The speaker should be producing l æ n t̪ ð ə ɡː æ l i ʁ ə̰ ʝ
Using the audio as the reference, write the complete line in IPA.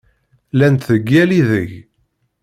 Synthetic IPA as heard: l æ n t̪ θ ə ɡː æ l i ð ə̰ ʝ